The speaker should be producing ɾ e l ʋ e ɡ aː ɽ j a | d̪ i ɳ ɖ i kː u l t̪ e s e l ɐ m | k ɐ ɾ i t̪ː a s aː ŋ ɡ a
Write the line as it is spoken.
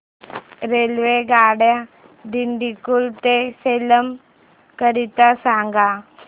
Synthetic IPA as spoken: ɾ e l ʋ e ɡ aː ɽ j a | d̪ i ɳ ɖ i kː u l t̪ e s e l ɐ m | k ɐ ɾ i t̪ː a s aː ŋ ɡ a

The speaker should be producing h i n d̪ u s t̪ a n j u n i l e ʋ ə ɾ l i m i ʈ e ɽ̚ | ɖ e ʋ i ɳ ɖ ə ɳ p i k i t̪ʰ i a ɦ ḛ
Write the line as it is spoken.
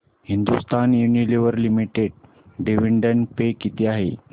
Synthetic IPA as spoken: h i n d̪ u s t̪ a n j u n i l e ʋ ə ɾ l i m i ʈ e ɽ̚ | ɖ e ʋ i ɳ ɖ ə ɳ p e k i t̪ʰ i a ɦ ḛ

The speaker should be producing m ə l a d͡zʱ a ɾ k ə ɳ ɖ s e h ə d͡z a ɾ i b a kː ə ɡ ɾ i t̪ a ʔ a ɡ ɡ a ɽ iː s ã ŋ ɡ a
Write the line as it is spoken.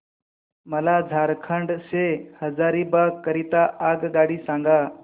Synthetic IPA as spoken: m ə l a d͡zʱ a ɾ kʰ ə ɳ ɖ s e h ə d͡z a ɾ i b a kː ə ɾ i t̪ a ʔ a ɡ ɡ a ɽ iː s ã ŋ ɡ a

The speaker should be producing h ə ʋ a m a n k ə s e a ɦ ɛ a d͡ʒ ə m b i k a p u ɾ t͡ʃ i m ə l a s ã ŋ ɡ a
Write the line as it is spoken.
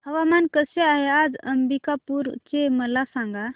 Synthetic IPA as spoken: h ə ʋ a m a n k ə s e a ɦ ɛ a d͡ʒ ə m b i k a p u ɾ t͡ʃ e m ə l a s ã ŋ ɡ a

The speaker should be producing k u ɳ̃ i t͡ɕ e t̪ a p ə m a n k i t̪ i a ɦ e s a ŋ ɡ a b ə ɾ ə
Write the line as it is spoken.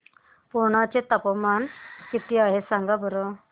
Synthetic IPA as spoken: p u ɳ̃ a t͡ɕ e t̪ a p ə m a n k i t̪ i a ɦ e s a ŋ ɡ a b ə ɾ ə

